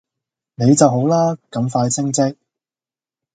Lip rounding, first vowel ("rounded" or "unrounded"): unrounded